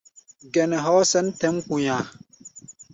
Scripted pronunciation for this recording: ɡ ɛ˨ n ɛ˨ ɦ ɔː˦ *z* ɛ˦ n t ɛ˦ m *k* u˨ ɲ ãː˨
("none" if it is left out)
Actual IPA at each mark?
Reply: s, k

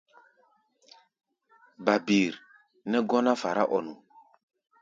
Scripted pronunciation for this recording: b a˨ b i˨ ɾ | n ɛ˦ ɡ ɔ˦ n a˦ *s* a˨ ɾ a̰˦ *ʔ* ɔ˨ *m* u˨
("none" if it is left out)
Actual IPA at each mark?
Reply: f, ʔ, n

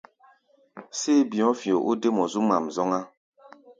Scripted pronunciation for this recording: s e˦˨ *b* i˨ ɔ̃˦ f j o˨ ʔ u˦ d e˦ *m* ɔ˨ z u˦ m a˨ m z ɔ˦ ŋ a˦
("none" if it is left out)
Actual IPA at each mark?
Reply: b, m

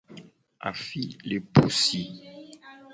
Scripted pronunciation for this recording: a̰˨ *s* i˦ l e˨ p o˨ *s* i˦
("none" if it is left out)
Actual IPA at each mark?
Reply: f, s

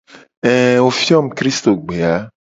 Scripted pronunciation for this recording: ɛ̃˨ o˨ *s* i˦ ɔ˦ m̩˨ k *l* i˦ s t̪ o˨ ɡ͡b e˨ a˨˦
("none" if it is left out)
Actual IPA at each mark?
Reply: f, ɾ

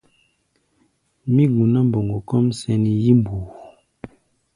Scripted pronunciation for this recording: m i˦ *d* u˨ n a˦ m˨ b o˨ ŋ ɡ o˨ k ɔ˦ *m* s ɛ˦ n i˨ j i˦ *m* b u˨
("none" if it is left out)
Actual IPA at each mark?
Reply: ɡ, m, m

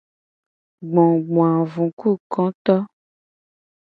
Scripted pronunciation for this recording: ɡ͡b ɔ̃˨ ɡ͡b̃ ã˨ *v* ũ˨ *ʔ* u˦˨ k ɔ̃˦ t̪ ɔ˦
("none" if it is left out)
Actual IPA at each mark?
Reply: v, k

